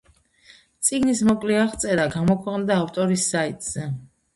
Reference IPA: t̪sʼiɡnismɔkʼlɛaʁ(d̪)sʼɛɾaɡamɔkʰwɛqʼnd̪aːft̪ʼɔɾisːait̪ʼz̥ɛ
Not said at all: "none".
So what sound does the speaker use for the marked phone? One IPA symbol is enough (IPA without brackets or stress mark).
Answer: t̪